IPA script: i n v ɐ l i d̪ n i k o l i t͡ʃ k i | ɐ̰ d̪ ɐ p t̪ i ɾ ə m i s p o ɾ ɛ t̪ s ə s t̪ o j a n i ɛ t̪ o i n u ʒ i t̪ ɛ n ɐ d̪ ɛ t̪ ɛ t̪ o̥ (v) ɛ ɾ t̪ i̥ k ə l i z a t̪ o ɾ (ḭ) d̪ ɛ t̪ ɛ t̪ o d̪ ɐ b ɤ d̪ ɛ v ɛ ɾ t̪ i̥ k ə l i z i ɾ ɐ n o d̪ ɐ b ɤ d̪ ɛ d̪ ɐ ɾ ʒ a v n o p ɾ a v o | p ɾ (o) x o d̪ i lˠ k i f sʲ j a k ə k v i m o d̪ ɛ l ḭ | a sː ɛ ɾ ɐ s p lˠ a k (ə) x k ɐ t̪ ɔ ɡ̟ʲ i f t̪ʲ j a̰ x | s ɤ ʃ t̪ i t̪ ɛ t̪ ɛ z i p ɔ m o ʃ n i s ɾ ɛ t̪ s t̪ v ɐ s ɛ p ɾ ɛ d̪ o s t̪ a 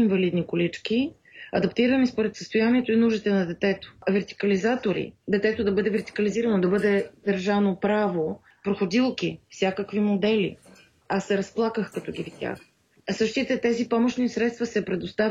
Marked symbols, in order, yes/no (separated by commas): yes, yes, yes, yes